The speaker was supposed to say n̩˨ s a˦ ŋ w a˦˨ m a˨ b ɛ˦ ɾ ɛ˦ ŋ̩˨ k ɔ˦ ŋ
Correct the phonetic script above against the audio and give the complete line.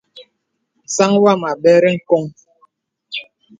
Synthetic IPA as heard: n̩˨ s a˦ ŋ w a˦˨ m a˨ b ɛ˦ ɾ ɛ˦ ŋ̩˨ k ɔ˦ ŋ